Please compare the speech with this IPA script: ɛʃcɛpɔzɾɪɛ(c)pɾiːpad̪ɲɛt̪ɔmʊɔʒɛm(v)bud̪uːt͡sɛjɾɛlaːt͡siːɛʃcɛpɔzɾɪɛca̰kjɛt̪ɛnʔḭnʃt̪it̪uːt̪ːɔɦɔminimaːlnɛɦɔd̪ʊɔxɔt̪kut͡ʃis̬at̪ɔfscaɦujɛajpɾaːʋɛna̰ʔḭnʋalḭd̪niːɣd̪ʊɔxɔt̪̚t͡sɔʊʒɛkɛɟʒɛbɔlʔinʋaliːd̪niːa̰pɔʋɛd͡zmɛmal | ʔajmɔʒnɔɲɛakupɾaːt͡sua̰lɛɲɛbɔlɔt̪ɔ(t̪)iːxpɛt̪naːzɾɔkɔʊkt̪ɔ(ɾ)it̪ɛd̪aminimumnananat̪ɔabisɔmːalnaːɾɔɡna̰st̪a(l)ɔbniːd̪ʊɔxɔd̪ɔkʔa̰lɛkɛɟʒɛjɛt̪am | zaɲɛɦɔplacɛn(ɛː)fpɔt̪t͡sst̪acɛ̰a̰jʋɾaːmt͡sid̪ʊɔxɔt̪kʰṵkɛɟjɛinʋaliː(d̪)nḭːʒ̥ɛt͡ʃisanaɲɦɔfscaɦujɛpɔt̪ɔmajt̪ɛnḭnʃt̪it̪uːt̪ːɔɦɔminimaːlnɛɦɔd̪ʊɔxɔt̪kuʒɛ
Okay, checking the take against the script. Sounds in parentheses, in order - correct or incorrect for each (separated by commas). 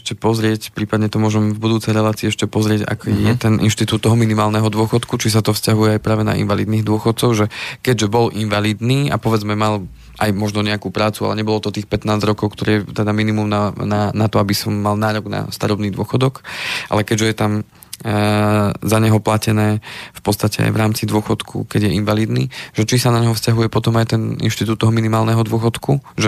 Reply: correct, correct, correct, correct, incorrect, correct, correct